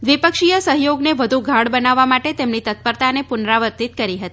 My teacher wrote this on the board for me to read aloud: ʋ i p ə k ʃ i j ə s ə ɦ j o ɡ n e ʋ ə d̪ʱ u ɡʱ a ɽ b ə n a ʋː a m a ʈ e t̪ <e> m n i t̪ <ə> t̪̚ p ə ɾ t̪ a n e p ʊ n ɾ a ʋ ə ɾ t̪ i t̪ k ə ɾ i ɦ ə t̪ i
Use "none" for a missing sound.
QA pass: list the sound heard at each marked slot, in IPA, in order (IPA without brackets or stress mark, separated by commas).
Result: e, ə